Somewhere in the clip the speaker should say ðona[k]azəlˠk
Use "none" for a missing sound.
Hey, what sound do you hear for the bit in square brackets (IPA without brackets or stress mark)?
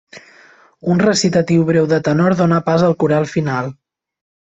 p